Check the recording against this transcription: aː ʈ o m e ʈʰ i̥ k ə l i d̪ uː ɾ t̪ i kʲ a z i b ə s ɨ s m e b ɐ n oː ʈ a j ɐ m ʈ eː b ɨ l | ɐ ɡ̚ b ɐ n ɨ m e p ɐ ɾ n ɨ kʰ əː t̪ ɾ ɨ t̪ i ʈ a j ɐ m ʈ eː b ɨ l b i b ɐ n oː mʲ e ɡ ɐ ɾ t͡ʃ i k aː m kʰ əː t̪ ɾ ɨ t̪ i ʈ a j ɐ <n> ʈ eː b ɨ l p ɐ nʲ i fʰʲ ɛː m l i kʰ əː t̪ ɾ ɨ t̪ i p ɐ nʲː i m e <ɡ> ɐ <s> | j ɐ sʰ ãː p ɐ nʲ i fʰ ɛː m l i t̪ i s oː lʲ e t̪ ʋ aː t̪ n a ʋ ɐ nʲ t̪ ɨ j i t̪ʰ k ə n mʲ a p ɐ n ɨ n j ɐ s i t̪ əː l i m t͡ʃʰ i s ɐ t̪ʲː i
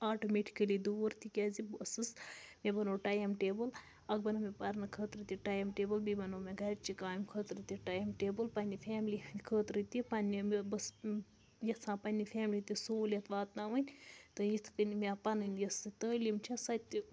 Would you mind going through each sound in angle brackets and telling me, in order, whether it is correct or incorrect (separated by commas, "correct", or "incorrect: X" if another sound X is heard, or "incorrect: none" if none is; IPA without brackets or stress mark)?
incorrect: m, incorrect: b, correct